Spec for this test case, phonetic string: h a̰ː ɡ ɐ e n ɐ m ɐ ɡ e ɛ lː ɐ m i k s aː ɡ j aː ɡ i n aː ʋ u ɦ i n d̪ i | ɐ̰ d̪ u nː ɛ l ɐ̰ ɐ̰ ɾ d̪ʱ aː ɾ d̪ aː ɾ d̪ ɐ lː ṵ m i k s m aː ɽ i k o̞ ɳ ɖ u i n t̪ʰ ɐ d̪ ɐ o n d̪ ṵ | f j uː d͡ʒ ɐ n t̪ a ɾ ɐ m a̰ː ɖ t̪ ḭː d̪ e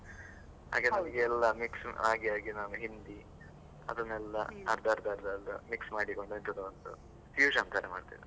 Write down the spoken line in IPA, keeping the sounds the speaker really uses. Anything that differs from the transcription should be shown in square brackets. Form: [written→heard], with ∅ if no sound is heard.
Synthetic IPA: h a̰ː ɡ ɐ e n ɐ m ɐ ɡ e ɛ lː ɐ m i k s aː ɡ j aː ɡ i n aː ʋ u ɦ i n d̪ i | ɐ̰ d̪ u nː ɛ [l→lː] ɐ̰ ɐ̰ ɾ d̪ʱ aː ɾ d̪ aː ɾ d̪ ɐ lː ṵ m i k s m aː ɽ i k o̞ ɳ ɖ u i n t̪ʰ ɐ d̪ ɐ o n d̪ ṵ | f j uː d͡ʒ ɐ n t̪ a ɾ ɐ m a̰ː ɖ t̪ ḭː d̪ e

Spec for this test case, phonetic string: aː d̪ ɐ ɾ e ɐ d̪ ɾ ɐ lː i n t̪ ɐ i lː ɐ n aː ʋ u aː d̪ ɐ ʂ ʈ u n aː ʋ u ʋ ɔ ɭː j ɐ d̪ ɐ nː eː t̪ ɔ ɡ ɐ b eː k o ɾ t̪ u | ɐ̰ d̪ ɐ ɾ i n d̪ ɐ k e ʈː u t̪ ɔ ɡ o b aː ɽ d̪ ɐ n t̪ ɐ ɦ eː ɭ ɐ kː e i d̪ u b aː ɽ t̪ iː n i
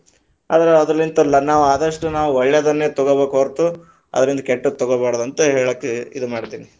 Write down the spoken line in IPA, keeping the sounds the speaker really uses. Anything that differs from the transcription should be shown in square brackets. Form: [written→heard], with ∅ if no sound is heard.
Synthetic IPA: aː d̪ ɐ ɾ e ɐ d̪ ɾ ɐ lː i n t̪ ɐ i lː ɐ n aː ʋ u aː d̪ ɐ ʂ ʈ u n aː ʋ u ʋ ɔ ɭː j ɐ d̪ ɐ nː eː t̪ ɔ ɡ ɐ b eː k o ɾ t̪ u | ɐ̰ d̪ ɐ ɾ i n d̪ ɐ k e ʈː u t̪ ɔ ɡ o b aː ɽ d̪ ɐ n t̪ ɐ ɦ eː ɭ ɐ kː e i d̪ u [b→m] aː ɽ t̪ iː n i

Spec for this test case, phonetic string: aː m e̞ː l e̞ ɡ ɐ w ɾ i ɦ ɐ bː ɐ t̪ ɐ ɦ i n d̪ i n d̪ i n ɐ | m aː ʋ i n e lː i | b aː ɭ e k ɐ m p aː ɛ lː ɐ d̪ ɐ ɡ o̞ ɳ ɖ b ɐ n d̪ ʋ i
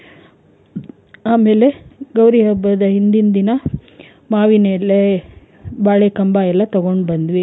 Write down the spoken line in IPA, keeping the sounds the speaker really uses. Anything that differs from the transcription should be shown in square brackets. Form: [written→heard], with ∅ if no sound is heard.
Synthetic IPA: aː m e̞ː l e̞ ɡ ɐ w ɾ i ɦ ɐ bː ɐ [t̪→d̪] ɐ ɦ i n d̪ i n d̪ i n ɐ | m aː ʋ i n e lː [i→e] | b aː ɭ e k ɐ m [p→b] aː ɛ lː ɐ [d̪→t̪] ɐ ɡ o̞ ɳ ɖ b ɐ n d̪ ʋ i

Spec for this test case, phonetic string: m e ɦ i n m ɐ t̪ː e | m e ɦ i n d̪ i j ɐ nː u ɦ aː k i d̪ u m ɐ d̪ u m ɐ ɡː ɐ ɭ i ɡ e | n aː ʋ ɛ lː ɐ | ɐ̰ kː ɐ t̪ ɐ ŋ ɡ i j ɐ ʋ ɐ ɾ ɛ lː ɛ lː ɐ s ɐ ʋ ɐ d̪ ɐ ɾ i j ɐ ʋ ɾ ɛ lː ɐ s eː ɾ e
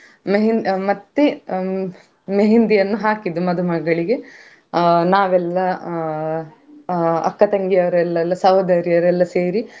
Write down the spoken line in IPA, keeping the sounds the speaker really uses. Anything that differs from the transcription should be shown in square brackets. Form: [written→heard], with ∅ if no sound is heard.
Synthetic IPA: m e ɦ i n m ɐ t̪ː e | m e ɦ i n d̪ i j ɐ nː u ɦ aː k i d̪ u m ɐ d̪ u m ɐ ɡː ɐ ɭ i ɡ e | n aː ʋ ɛ lː ɐ | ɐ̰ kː ɐ t̪ ɐ ŋ ɡ i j ɐ ʋ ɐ ɾ ɛ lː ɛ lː ɐ s ɐ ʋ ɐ d̪ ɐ ɾ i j ɐ ʋ ɾ ɛ lː ɐ s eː ɾ [e→i]

